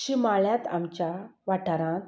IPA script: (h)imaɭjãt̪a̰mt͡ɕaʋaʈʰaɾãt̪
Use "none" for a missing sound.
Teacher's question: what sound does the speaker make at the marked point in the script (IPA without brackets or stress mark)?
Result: ɕ